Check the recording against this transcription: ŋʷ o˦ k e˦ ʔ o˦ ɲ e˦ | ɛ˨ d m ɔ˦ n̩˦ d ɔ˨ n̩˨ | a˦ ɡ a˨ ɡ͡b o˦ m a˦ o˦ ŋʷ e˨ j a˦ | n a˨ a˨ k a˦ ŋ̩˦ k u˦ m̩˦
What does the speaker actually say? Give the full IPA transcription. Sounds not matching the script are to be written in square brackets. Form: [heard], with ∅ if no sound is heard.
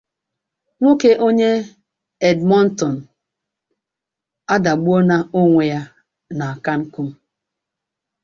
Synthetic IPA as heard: ŋʷ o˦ k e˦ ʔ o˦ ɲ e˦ | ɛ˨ d m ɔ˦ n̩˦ [t] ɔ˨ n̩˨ | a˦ [d] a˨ ɡ͡b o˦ [n] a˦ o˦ ŋʷ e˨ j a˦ | n a˨ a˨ k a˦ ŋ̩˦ k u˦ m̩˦